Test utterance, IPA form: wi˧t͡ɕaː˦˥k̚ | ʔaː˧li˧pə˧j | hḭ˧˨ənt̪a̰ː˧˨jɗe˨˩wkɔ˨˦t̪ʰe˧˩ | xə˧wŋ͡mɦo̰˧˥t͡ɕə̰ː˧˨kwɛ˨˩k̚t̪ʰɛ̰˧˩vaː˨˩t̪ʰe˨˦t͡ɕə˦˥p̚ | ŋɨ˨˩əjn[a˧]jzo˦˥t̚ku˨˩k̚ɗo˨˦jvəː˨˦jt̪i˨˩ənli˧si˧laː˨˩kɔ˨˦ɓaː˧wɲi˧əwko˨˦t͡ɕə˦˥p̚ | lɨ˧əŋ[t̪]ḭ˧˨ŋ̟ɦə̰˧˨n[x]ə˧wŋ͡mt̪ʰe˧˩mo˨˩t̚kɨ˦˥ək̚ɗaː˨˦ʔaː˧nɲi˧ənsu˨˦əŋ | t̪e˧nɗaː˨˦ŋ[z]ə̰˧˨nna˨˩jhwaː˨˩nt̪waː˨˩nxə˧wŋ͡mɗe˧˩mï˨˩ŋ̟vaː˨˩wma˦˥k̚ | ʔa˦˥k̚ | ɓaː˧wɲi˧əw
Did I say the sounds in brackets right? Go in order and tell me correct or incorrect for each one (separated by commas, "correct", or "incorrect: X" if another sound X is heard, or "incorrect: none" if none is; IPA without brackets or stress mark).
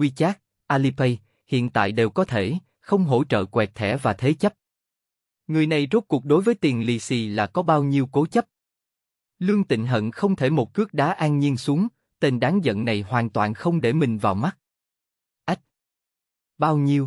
incorrect: a˨˩, correct, correct, correct